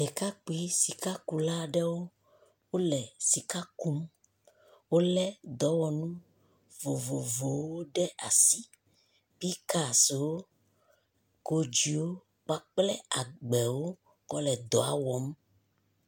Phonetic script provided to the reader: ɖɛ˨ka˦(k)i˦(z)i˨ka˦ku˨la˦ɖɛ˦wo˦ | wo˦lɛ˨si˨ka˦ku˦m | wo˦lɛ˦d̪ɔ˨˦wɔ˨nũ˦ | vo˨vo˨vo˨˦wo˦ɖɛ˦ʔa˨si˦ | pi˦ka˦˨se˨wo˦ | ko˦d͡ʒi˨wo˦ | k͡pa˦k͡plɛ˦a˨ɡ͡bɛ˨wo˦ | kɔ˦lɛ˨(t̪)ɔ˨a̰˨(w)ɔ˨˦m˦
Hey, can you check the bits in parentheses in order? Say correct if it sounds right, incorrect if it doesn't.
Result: incorrect: k͡p, incorrect: s, incorrect: d̪, correct

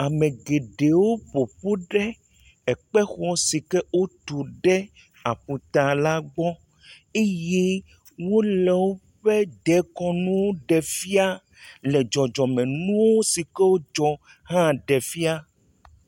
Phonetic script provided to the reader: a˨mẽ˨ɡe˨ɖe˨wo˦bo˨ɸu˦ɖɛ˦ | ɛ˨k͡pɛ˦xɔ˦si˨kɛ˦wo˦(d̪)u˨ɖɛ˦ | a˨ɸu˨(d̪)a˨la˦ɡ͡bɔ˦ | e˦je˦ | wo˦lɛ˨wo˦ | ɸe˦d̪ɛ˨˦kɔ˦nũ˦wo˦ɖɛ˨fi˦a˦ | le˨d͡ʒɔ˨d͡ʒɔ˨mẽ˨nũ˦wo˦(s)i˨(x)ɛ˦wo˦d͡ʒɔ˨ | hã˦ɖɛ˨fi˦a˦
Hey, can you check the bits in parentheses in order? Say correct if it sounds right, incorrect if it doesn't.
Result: incorrect: t̪, incorrect: t̪, correct, incorrect: k

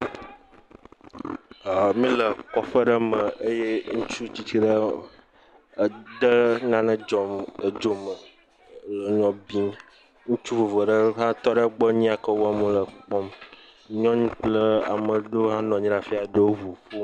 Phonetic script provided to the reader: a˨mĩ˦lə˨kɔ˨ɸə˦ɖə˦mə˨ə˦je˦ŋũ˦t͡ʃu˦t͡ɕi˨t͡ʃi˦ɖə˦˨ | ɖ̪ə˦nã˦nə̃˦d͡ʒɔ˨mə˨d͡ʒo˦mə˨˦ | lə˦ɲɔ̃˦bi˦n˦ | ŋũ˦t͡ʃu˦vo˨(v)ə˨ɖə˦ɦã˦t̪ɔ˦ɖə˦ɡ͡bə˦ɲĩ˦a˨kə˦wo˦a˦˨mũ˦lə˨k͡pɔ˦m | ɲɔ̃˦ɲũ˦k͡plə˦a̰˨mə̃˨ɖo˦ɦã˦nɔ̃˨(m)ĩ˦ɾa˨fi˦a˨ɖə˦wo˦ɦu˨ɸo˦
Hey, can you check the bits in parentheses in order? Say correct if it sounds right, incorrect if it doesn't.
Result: correct, incorrect: ɲ

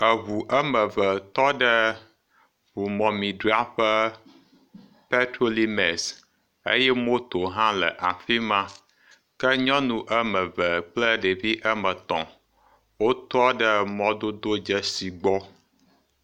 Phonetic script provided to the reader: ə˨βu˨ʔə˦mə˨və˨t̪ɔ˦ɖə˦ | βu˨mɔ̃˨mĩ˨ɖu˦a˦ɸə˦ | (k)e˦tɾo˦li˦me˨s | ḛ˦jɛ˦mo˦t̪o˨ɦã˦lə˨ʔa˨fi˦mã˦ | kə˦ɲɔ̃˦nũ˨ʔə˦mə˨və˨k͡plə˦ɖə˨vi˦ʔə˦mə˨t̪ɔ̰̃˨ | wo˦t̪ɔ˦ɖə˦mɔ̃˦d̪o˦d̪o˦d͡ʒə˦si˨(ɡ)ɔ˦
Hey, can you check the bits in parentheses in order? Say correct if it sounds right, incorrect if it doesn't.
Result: incorrect: p, incorrect: ɡ͡b

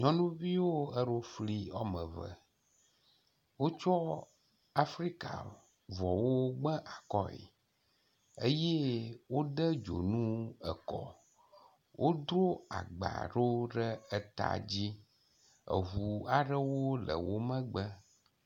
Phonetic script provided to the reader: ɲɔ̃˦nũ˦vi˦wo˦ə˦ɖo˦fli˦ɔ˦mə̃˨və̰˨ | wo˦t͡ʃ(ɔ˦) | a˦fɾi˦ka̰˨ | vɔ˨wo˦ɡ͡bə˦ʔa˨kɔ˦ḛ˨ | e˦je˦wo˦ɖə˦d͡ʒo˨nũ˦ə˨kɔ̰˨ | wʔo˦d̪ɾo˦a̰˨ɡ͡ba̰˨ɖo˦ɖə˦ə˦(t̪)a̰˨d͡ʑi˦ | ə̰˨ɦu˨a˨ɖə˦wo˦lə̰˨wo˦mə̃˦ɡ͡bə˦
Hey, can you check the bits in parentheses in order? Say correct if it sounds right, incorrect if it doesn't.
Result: correct, correct

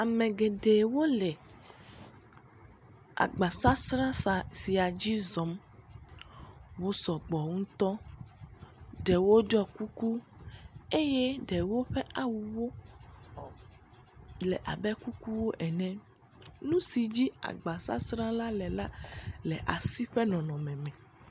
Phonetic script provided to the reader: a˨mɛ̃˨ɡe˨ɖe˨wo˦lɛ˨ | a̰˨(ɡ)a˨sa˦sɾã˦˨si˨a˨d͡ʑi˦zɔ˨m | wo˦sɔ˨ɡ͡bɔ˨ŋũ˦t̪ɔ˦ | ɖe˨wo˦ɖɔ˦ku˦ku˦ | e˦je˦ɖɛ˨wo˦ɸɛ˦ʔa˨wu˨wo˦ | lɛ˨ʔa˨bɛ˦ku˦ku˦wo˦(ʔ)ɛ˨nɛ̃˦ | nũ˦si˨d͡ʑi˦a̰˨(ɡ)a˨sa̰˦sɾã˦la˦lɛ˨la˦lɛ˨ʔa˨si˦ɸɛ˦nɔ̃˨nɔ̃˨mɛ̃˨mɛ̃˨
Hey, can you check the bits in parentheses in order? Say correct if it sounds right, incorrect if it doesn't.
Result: incorrect: ɡ͡b, correct, incorrect: ɡ͡b

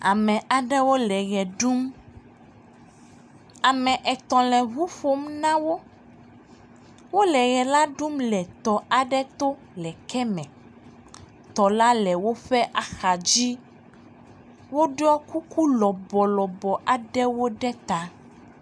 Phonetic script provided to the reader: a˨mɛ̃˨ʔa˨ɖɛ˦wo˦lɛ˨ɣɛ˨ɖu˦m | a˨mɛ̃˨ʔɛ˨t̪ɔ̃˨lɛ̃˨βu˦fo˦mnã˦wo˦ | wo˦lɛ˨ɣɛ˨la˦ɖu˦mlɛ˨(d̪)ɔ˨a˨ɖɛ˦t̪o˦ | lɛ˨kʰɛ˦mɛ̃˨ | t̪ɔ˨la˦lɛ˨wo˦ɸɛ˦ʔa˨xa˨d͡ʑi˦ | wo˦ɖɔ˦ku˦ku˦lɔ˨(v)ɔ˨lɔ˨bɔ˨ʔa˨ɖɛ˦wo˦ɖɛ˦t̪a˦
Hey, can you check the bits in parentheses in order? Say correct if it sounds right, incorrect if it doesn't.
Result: incorrect: t̪, incorrect: b

